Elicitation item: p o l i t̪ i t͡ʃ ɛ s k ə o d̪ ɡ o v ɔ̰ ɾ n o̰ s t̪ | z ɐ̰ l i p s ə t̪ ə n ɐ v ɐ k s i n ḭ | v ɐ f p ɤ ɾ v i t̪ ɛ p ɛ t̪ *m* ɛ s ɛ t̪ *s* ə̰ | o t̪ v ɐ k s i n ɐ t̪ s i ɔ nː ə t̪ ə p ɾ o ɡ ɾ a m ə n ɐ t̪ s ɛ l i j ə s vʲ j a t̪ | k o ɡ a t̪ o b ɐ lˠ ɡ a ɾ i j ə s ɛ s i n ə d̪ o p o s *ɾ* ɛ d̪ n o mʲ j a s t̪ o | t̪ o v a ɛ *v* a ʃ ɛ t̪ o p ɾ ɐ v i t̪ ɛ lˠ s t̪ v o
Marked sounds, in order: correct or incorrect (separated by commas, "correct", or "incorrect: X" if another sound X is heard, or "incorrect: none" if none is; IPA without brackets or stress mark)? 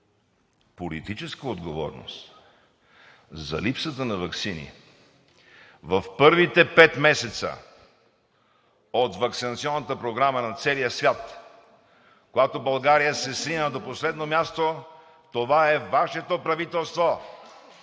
correct, correct, incorrect: l, correct